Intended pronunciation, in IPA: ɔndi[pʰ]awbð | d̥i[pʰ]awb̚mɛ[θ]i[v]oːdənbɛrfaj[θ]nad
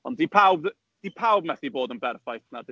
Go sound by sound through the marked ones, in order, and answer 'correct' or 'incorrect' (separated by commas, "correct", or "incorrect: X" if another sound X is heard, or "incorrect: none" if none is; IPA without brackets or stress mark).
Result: correct, correct, correct, incorrect: b, correct